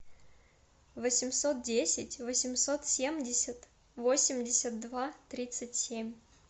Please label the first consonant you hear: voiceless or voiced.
voiced